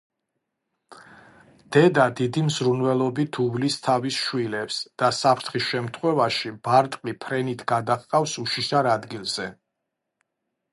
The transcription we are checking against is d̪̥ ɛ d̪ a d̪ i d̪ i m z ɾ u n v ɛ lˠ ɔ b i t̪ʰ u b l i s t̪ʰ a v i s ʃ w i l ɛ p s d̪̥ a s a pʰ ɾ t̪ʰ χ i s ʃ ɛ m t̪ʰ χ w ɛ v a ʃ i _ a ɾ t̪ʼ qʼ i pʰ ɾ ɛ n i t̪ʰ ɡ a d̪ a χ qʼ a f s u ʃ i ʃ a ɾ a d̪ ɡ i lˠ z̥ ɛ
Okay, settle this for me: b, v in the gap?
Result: b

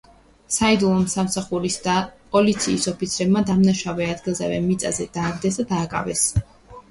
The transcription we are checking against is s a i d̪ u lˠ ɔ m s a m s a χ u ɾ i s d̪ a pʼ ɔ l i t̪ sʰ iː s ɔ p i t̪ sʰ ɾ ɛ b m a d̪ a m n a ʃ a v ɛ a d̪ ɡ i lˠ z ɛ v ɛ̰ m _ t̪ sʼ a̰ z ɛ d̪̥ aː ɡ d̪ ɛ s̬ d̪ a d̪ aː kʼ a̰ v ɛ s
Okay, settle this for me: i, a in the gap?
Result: i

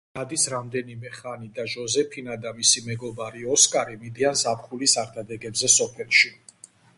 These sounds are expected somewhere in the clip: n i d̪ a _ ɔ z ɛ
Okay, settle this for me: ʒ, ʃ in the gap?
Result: ʒ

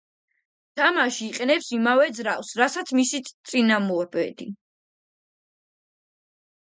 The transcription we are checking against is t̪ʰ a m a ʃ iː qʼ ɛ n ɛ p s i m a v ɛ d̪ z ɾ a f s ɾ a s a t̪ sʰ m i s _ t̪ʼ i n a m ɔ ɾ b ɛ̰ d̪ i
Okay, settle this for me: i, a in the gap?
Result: i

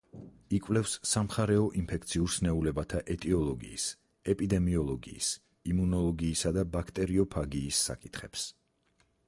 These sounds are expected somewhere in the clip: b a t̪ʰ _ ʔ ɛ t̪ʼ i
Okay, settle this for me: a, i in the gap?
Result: a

